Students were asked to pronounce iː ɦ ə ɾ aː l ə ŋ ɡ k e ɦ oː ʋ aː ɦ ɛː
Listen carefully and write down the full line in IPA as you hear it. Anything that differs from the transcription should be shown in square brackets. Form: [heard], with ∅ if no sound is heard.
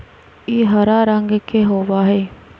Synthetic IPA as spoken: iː ɦ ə ɾ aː [ɾ] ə ŋ ɡ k e ɦ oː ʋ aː ɦ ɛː